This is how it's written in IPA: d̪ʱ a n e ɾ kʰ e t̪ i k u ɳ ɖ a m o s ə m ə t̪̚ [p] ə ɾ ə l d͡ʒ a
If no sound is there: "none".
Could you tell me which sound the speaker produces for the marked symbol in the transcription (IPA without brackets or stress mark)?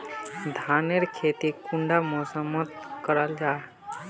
k